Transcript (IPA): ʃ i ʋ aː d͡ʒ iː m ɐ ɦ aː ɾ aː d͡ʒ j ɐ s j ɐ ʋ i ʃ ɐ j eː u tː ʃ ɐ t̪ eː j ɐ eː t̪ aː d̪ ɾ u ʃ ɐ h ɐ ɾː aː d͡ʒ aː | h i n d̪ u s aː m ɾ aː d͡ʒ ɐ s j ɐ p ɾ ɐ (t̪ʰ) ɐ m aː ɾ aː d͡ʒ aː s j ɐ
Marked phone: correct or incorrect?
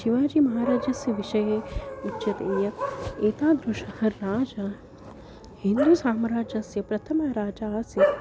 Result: correct